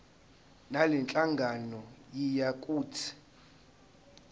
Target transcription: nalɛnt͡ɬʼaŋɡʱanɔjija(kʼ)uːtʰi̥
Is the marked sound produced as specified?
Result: yes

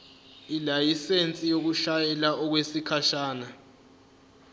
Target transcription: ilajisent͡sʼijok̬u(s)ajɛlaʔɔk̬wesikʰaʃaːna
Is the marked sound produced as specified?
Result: no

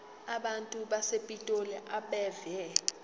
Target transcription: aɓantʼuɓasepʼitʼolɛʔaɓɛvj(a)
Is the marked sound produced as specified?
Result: no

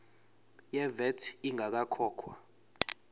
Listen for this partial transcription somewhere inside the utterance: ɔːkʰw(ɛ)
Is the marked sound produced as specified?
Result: no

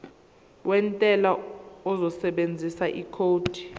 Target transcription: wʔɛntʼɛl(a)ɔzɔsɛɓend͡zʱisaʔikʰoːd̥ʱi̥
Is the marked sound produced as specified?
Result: yes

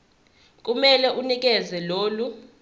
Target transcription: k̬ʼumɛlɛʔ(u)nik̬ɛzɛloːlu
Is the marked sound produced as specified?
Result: yes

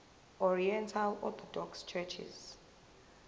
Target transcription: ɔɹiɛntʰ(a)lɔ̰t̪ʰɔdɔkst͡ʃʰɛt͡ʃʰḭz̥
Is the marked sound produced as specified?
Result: yes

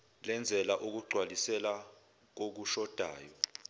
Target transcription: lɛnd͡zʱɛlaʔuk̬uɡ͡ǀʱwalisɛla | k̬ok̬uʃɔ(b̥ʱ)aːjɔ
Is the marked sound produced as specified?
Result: no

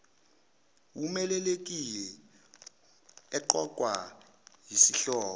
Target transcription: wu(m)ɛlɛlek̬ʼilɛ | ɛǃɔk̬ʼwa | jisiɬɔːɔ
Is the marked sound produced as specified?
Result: yes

